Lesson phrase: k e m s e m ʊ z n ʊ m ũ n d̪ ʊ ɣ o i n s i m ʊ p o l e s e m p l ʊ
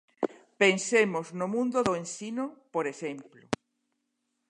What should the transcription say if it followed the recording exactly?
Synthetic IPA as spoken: p e n s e m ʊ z n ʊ m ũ n d̪ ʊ ð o e n s i n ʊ p o ɾ e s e m p l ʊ